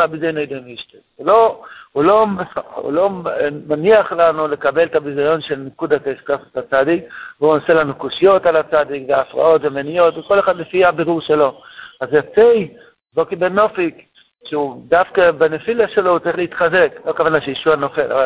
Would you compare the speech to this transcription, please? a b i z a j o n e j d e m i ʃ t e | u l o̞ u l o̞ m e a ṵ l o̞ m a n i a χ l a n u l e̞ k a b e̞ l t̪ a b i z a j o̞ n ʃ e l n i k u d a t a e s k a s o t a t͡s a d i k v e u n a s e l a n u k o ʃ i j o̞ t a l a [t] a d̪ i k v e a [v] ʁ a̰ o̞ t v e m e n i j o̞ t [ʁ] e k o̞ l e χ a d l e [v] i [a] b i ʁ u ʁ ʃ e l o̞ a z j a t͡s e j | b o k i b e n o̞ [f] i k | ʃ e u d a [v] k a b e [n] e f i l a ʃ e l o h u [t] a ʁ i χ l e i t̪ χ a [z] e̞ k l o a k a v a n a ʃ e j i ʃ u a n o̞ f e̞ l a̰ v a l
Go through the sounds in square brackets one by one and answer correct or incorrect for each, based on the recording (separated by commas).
incorrect, incorrect, incorrect, incorrect, correct, correct, incorrect, correct, incorrect, correct